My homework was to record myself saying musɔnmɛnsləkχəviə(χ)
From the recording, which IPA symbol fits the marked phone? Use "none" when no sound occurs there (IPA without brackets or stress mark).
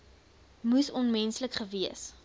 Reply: s